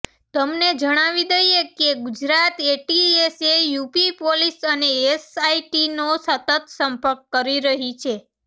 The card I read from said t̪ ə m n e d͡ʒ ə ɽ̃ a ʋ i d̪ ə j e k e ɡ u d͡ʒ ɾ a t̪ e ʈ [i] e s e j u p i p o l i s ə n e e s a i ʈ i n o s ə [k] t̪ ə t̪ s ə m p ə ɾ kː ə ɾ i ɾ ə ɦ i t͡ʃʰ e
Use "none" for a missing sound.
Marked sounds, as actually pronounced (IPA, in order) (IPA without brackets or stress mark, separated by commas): i, none